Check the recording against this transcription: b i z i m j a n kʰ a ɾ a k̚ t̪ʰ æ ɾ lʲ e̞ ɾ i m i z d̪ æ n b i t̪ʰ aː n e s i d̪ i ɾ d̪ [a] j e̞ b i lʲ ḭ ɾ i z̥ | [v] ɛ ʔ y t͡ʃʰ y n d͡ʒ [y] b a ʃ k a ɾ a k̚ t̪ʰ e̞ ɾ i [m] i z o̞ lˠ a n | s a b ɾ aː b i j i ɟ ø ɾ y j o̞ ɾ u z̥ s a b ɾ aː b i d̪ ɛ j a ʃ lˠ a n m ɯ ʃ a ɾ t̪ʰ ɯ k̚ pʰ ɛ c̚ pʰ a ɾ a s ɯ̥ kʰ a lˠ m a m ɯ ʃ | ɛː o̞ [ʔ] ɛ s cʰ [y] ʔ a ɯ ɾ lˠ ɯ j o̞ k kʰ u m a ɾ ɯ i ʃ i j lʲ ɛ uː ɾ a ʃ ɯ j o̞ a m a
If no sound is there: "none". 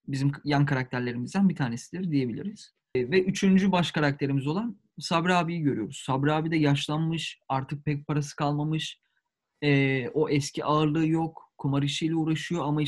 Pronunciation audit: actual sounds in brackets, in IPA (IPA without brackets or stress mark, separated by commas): i, v, y, m, ʔ, i